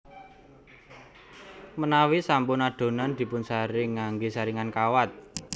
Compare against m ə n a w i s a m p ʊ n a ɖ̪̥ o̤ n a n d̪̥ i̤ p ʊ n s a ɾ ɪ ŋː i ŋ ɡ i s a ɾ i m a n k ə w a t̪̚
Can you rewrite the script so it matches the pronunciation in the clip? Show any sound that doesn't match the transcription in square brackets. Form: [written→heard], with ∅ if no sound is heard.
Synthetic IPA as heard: m ə n a w i s a m p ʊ n a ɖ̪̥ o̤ n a n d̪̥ i̤ p ʊ n s a ɾ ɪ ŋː [i→a] ŋ ɡ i s a ɾ i [m→ŋ] a n k [ə→a] w a t̪̚

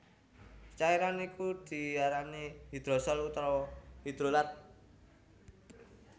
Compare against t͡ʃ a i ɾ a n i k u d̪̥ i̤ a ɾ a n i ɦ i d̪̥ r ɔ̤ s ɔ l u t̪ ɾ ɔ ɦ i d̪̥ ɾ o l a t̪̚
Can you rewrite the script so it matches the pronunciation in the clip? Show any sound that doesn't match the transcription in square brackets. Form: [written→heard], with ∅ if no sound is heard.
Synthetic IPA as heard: t͡ʃ a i ɾ a n i k u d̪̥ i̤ a ɾ a n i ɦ i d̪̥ [r→ɾ] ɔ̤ s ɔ l u t̪ ɾ ɔ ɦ i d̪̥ ɾ o l a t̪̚

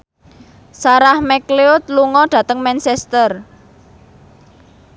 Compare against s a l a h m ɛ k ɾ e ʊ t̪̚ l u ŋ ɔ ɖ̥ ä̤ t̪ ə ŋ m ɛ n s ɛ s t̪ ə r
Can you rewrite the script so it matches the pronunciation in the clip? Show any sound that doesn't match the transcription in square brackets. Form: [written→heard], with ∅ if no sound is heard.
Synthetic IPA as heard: s a [l→ɾ] a h m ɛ k [ɾ→l] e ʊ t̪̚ l u ŋ ɔ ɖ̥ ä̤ t̪ ə ŋ m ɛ n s ɛ s t̪ ə r

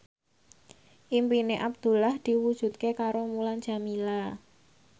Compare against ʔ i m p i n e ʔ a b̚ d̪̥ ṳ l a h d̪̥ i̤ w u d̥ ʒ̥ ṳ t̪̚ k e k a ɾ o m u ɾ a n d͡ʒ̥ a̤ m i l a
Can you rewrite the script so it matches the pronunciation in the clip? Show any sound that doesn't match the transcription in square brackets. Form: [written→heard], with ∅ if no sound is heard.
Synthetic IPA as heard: ʔ i m p i n e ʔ a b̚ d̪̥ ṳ l a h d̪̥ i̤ w u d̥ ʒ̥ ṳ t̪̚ k e k a ɾ o m u [ɾ→l] a n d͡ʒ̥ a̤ m i l a

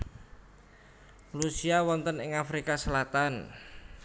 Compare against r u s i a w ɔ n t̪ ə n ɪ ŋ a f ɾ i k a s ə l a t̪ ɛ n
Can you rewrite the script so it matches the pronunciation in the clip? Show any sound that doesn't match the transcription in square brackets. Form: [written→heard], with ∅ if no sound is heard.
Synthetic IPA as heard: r u s i a w ɔ n t̪ ə n ɪ ŋ a f ɾ i k a s ə l a t̪ [ɛ→a] n

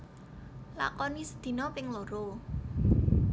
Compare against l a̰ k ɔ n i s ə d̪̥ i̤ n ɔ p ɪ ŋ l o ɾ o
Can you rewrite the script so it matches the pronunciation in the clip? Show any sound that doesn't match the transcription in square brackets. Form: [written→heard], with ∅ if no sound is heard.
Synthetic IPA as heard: l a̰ k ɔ n i s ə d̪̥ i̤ n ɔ p ɪ ŋ l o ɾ o

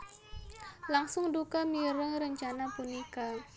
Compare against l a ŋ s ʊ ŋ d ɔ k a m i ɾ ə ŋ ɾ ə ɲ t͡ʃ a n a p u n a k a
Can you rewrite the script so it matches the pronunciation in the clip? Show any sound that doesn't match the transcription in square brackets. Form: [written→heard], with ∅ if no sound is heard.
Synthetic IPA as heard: l a ŋ s ʊ ŋ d [ɔ→u] k a m i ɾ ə ŋ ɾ ə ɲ t͡ʃ a n a p u n [a→i] k a

